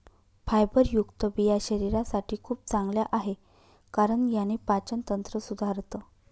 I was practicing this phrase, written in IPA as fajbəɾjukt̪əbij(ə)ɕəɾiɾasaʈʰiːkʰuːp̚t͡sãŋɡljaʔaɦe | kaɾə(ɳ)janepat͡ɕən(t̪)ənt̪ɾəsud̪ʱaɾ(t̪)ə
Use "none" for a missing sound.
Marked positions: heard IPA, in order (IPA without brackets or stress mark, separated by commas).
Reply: a, ɳ, t̪, t̪